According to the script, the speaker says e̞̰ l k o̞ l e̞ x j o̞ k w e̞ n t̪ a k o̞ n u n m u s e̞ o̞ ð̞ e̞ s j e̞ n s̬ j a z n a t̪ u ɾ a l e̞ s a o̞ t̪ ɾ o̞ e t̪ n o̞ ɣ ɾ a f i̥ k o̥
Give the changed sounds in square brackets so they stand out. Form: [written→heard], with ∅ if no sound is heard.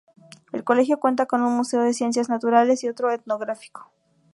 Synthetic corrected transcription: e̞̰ l k o̞ l e̞ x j o̞ k w e̞ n t̪ a k o̞ n u n m u s e̞ o̞ ð̞ e̞ s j e̞ n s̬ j a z n a t̪ u ɾ a l e̞ s [a→i] o̞ t̪ ɾ o̞ e t̪ n o̞ ɣ ɾ a f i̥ k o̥